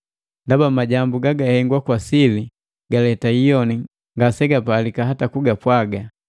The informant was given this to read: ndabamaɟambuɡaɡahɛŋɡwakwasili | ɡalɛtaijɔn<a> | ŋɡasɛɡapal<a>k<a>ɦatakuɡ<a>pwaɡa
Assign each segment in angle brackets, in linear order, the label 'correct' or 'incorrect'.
incorrect, incorrect, correct, correct

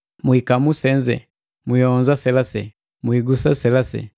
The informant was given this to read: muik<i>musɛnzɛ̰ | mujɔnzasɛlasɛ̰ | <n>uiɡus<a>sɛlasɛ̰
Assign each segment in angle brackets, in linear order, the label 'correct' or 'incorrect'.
incorrect, incorrect, correct

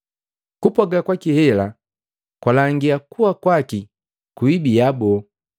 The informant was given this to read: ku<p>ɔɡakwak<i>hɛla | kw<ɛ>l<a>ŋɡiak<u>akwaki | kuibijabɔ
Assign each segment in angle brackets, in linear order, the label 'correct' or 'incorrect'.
correct, correct, incorrect, correct, correct

